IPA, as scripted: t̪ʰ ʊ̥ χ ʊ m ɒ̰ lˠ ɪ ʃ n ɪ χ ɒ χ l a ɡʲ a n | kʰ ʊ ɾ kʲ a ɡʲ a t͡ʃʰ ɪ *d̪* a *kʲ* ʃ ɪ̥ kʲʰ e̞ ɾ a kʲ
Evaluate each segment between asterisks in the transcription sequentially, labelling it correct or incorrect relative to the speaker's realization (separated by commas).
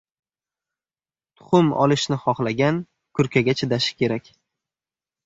correct, incorrect